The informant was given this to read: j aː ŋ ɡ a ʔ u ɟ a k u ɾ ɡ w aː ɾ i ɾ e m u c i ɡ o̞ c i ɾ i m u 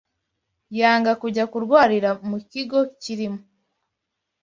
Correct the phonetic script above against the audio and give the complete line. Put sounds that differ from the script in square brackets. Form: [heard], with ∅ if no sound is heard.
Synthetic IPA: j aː ŋ ɡ a [k] u ɟ a k u ɾ ɡ w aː ɾ i ɾ [a] m u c i ɡ o̞ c i ɾ i m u